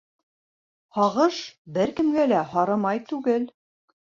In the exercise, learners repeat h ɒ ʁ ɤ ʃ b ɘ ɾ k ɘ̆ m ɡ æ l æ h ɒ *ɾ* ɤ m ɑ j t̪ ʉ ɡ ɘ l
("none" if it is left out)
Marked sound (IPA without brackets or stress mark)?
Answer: ɾ